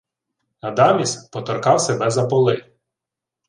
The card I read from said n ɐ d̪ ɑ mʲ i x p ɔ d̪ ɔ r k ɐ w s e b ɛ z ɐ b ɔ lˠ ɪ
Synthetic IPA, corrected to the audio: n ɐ d̪ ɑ mʲ i s p ɔ t̪ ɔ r k ɑ w s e b ɛ z ɐ p ɔ lˠ ɪ